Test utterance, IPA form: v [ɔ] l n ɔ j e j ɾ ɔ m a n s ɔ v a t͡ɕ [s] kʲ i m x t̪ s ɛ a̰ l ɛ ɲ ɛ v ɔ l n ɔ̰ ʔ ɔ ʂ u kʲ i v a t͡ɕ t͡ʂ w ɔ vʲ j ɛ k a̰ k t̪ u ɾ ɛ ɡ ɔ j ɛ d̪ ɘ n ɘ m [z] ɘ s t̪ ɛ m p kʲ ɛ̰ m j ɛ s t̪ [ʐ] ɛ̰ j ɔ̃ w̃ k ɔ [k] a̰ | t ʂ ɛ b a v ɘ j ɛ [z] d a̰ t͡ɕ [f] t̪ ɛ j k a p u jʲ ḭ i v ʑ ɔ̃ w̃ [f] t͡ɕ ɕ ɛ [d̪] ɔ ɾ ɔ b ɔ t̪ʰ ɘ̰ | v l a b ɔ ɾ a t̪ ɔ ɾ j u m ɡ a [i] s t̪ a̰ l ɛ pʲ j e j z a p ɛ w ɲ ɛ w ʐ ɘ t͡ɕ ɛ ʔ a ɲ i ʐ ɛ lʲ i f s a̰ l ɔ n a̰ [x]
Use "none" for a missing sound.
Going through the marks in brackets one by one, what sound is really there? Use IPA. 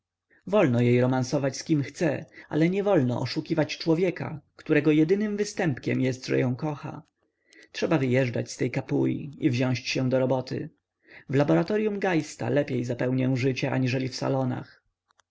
ɔ, s, v, ʐ, x, ʐ, s, ɕ, d̪, j, x

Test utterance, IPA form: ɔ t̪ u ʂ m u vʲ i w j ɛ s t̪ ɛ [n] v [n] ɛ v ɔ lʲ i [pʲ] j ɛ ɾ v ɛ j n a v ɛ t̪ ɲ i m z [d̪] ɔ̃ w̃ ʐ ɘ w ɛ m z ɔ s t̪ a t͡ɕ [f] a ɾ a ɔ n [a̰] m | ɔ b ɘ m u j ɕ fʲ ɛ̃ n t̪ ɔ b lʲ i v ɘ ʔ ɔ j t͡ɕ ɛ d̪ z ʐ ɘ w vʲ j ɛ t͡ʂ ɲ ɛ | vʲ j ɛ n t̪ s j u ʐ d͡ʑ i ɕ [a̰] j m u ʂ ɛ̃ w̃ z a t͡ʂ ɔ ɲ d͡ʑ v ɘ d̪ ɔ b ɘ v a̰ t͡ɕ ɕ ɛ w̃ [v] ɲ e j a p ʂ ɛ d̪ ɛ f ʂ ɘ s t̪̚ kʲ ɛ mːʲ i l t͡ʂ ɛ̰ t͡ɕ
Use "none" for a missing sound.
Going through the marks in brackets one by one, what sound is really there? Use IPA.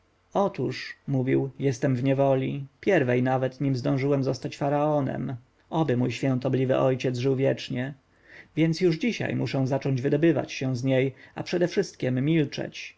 m, ɲ, pʲ, d̪, f, ɛ̰, a̰, z

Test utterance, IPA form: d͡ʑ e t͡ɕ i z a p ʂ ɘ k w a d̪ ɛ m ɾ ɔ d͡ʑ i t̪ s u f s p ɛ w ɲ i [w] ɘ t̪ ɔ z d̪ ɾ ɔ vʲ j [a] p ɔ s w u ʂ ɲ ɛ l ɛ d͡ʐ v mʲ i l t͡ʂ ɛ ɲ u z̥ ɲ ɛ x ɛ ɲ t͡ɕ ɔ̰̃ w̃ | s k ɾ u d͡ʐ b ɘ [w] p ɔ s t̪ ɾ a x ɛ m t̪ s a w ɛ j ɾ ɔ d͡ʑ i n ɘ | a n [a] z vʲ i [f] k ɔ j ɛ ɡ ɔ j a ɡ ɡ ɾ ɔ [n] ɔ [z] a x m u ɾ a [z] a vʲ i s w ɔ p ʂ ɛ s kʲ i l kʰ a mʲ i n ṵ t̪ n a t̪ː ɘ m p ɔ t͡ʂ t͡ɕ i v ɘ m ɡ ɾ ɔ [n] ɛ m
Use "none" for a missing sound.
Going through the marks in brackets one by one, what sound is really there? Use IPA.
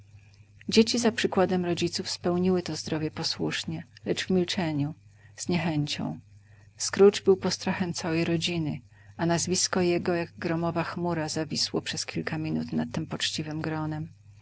w, ɛ, w, a, s, m, v, z, n

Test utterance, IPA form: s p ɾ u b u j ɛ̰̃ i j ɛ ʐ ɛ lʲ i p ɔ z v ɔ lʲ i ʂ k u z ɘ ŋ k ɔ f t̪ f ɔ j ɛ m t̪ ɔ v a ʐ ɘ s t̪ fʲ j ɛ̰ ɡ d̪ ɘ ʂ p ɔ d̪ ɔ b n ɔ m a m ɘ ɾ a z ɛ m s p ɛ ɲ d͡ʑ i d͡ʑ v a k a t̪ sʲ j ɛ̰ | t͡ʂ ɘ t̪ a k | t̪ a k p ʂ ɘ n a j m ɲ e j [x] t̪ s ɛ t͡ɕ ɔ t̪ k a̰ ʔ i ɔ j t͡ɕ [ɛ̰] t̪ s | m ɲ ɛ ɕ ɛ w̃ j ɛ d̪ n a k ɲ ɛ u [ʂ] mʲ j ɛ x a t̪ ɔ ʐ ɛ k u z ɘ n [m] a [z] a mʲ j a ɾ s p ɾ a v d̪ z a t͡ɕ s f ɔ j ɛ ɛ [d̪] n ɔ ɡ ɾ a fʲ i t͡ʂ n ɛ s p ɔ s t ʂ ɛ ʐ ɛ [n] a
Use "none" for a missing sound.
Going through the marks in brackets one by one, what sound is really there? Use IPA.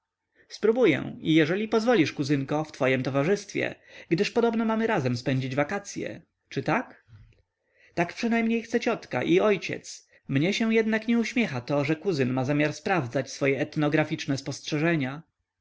x, ɛ̰, ɕ, m, z, t̪, ɲ

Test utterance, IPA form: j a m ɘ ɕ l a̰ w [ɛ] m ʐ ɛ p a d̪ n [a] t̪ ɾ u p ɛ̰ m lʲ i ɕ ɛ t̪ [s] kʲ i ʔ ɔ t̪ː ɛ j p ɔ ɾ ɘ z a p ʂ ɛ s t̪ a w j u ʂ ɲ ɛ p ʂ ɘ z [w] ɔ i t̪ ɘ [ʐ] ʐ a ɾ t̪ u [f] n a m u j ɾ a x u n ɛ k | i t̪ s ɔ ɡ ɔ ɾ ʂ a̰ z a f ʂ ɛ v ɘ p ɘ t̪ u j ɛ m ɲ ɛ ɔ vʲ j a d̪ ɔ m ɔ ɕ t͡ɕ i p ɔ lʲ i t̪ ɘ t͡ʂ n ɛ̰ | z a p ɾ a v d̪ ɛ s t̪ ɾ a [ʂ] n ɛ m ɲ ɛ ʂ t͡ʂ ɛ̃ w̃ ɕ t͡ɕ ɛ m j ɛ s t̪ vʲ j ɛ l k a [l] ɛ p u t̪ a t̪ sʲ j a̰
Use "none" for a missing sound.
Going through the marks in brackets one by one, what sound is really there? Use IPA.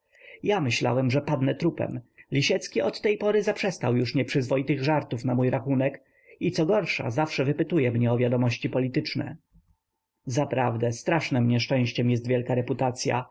ɛ, ɛ, s, v, ɣ, f, ʂ, ɾ

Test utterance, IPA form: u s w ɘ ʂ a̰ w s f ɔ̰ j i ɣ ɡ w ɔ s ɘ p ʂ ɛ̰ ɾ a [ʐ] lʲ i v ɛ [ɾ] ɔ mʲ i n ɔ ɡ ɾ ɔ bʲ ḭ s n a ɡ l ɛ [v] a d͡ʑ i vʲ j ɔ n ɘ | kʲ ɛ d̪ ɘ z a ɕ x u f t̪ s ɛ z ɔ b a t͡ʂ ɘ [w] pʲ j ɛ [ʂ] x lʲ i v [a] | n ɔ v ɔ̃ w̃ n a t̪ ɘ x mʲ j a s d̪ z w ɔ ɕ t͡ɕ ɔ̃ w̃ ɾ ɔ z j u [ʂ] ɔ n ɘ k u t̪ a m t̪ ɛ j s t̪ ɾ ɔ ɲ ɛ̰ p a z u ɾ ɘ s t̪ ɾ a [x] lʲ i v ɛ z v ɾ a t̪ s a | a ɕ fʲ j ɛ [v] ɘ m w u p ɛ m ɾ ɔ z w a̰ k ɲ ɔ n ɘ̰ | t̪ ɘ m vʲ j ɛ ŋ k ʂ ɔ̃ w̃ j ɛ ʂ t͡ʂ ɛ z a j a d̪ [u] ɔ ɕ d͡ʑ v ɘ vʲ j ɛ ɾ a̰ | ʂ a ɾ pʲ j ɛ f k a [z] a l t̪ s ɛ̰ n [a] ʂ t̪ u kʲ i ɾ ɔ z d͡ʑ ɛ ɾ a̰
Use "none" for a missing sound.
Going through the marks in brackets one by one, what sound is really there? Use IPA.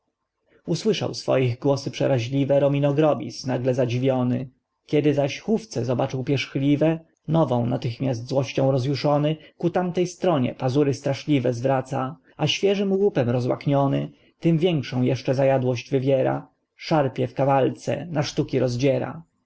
ʑ, ɾ, z, w, ʂ, ɛ, ʂ, ʂ, ʐ, w, v, a

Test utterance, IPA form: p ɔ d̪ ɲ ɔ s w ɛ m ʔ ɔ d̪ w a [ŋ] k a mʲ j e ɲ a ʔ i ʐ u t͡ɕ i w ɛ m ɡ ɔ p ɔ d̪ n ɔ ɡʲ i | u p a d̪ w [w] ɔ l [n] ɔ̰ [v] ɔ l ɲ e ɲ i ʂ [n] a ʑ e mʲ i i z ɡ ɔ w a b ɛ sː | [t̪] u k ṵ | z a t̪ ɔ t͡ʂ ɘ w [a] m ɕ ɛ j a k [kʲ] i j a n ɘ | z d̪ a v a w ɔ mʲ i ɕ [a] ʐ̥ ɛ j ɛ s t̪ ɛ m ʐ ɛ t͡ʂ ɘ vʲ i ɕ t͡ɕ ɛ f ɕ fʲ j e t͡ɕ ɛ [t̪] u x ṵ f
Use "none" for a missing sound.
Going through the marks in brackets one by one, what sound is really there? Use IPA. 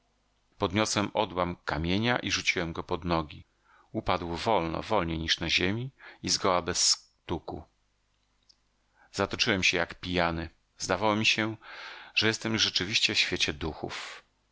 m, v, n, v, n, t̪, ɛ, pʲ, ɛ, d̪

